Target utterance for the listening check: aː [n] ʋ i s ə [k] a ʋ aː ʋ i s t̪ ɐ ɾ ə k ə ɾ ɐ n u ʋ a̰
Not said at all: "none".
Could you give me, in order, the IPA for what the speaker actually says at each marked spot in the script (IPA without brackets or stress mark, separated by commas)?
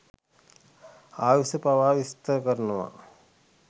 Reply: none, p